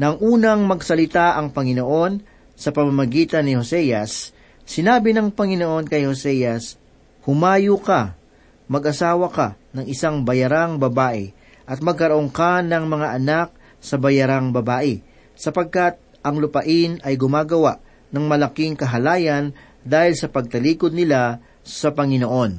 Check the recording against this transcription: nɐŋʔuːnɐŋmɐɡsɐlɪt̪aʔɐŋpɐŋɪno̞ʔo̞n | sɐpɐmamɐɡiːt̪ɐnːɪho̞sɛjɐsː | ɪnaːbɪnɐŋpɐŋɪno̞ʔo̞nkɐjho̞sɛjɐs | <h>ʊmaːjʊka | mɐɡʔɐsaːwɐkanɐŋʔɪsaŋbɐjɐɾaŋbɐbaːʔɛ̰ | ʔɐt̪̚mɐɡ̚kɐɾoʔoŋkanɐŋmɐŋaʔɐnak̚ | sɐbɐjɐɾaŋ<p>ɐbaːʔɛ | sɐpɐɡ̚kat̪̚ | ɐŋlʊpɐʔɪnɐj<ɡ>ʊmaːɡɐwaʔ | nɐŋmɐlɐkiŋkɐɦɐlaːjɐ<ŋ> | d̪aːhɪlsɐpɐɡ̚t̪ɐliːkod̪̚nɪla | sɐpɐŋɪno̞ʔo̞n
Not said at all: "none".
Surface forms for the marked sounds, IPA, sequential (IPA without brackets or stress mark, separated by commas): h, b, ɡ, n